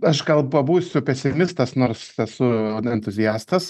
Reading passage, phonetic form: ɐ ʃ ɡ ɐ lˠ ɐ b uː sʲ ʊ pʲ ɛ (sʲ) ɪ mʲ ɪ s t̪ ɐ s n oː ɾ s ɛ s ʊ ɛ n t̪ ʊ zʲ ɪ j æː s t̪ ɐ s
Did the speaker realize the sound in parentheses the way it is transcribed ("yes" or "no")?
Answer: yes